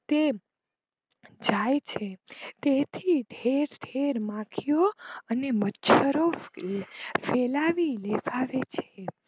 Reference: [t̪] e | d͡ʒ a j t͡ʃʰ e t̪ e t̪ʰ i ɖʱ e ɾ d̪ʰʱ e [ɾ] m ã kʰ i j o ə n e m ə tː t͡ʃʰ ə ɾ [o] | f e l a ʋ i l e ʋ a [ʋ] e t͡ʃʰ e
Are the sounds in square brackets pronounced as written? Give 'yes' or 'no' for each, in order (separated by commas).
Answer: yes, yes, yes, yes